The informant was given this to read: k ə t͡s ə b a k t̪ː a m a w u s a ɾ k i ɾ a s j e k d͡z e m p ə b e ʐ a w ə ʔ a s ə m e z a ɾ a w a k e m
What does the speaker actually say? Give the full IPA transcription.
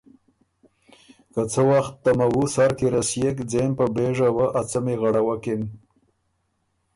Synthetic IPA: k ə t͡s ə w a x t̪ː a m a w u s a ɾ k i ɾ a s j e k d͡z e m p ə b e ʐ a w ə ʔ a t͡s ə m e ɣ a ɽ a w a k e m